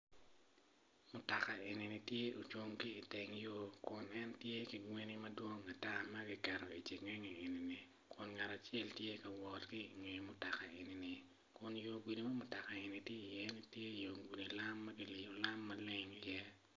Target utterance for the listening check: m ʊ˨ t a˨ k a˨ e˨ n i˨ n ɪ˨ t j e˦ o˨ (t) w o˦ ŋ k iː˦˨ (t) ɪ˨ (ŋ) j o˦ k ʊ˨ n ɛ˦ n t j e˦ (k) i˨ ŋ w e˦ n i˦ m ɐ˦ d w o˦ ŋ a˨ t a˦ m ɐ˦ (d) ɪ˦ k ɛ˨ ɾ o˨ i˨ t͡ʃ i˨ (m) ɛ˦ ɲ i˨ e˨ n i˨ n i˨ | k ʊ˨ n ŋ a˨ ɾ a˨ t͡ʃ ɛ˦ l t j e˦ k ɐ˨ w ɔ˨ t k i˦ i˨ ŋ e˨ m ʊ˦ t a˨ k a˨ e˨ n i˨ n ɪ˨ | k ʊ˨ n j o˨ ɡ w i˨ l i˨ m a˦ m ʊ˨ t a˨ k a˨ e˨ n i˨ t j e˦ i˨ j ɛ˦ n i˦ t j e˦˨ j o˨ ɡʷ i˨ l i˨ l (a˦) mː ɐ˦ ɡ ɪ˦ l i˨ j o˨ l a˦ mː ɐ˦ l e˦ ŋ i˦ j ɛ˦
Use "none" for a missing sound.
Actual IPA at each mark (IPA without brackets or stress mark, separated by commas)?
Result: t͡ʃ, t, ŋ, k, ɡ, ŋ, a˦